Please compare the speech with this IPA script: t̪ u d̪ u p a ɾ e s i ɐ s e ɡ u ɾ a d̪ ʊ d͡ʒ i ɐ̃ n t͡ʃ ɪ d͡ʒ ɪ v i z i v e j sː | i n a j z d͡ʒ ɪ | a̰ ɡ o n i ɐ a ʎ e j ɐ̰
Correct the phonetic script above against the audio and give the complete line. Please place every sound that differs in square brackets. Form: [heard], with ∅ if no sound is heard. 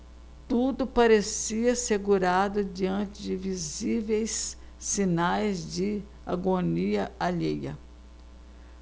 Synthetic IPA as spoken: t̪ u d̪ [ʊ] p a ɾ e s i ɐ s e ɡ u ɾ a d̪ ʊ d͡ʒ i ɐ̃ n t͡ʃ ɪ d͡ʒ ɪ v i z i v e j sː | i n a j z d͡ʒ ɪ | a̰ ɡ o n i ɐ a ʎ e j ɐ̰